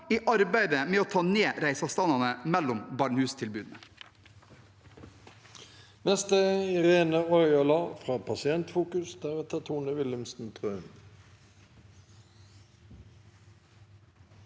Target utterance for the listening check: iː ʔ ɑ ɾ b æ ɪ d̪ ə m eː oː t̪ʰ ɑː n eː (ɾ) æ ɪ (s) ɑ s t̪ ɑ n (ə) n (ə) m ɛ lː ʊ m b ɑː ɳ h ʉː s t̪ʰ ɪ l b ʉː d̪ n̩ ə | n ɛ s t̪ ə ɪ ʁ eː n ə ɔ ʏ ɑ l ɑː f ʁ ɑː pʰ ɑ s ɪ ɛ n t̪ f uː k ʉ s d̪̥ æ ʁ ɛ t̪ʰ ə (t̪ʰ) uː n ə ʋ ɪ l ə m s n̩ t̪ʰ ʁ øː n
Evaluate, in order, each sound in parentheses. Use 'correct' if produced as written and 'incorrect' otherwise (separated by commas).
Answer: correct, correct, incorrect, correct, correct